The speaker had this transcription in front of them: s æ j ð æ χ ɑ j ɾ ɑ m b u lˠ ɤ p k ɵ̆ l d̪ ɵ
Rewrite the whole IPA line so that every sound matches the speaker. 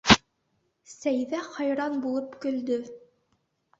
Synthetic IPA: s æ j ð æ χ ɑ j ɾ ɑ n b u lˠ ɤ p k ɵ̆ l d̪ ɵ